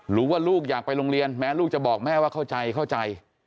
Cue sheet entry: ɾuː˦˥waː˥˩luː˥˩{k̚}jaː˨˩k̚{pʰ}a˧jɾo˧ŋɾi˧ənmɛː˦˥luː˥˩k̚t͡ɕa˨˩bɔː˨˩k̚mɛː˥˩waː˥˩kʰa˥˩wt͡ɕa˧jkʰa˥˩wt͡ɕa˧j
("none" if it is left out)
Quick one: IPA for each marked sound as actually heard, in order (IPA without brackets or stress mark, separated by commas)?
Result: k̚, p